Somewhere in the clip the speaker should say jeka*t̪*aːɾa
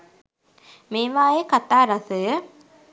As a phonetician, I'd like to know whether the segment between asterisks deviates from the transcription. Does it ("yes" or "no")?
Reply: no